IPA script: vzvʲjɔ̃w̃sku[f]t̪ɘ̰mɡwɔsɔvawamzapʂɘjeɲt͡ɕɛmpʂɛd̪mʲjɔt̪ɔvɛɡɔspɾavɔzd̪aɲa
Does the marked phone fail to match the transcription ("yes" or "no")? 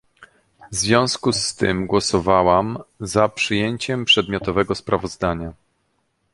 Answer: yes